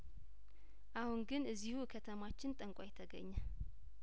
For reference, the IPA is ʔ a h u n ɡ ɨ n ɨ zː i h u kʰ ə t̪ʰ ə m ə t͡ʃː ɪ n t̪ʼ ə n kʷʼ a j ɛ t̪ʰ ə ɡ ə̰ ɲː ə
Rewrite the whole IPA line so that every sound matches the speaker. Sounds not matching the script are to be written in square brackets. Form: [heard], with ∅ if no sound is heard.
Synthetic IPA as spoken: ʔ a h u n ɡ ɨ n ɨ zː i h u kʰ ə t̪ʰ ə m [a] t͡ʃː ɪ n t̪ʼ ə [ŋ] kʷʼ a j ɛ t̪ʰ ə ɡ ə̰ ɲː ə